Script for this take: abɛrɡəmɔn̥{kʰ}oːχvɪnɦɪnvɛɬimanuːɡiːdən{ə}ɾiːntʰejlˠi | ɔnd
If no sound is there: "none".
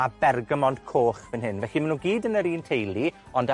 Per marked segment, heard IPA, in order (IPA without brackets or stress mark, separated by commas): kʰ, ə